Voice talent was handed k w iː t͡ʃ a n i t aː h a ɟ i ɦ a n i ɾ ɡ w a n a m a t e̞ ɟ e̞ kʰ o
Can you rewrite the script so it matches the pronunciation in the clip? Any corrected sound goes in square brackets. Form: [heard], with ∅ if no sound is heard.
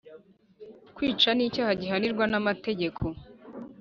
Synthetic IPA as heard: k w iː t͡ʃ a n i [c] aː h a ɟ i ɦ a n i ɾ ɡ w a n a m a t e̞ ɟ e̞ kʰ o